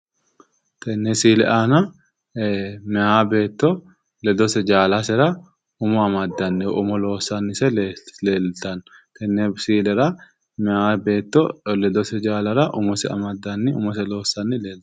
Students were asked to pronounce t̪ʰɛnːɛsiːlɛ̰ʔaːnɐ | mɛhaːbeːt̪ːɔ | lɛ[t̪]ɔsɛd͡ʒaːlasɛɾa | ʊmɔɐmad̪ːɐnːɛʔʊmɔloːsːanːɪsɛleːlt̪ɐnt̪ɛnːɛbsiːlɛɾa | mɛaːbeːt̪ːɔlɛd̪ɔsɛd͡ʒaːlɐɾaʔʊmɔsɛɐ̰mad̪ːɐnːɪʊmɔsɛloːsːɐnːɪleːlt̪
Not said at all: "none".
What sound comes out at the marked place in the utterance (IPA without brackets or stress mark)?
d̪